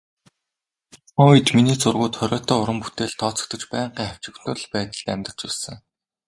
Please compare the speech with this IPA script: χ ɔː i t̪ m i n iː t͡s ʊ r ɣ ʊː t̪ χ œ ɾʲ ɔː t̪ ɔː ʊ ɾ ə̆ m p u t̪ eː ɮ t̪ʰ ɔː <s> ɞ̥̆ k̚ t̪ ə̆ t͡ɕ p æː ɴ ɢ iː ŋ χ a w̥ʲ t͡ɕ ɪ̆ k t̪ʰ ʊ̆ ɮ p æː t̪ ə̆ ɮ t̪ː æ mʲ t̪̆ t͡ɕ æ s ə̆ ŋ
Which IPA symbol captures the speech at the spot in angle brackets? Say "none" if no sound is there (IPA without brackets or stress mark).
t͡s